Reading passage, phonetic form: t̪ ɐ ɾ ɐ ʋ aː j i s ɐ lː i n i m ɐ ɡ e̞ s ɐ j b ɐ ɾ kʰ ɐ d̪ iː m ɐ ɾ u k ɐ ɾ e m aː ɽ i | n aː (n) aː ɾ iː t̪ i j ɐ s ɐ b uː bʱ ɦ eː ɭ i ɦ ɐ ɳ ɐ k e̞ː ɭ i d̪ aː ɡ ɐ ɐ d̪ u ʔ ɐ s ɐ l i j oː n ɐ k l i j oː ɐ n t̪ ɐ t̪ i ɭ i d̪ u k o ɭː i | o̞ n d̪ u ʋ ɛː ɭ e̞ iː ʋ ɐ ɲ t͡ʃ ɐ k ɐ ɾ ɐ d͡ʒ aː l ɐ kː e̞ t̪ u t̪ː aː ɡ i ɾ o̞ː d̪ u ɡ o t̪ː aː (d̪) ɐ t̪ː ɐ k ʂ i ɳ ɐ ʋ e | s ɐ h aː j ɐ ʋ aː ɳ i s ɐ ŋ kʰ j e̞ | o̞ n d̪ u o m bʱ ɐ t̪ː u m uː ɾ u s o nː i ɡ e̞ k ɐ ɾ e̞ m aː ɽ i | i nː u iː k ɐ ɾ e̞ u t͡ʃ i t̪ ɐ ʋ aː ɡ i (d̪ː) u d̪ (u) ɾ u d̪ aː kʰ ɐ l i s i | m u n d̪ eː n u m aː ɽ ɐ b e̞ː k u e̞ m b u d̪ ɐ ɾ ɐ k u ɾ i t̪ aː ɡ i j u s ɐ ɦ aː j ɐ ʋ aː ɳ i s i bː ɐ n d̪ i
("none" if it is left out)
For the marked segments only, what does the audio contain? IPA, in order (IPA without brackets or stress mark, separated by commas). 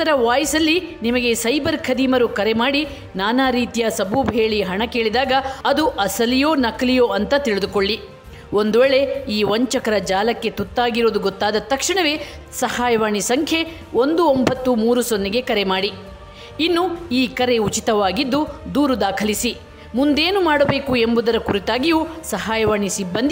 n, d̪, d̪ː, uː